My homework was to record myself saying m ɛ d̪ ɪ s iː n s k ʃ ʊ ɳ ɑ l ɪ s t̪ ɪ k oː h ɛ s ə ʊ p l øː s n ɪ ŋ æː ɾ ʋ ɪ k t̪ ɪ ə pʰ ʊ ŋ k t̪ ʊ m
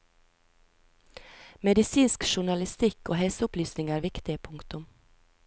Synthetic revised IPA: m ɛ d̪ ɪ s iː n s k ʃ ʊ ɳ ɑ l ɪ s t̪ ɪ k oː h ɛ s ə ʊ p l yː s n ɪ ŋ æː ɾ ʋ ɪ k t̪ ɪ ə pʰ ʊ ŋ k t̪ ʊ m